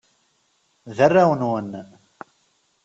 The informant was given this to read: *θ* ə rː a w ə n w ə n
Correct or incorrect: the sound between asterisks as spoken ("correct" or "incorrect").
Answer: incorrect